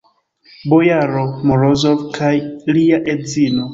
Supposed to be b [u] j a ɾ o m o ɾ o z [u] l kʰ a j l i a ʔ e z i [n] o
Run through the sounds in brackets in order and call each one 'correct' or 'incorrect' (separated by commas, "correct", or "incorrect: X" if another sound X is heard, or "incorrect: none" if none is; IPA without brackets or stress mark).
incorrect: o, incorrect: o, correct